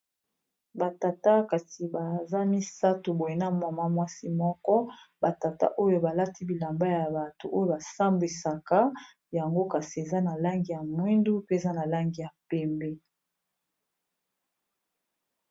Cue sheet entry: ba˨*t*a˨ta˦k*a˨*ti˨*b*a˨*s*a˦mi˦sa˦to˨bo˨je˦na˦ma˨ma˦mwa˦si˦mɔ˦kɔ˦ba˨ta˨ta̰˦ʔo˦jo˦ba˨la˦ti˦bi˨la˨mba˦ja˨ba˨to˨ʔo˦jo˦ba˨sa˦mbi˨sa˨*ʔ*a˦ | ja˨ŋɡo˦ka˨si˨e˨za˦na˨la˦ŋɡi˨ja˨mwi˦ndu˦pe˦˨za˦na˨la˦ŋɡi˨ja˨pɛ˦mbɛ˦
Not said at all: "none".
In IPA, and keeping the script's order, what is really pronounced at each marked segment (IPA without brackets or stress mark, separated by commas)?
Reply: t, a˨, b, z, k